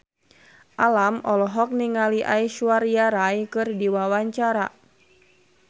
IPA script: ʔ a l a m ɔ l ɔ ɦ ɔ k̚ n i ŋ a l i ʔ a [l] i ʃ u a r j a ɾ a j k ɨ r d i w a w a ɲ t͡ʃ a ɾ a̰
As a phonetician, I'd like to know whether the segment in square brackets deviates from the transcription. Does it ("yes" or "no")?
yes